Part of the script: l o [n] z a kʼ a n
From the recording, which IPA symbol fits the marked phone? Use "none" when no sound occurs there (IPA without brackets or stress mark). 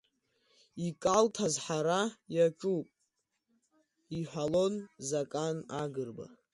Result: n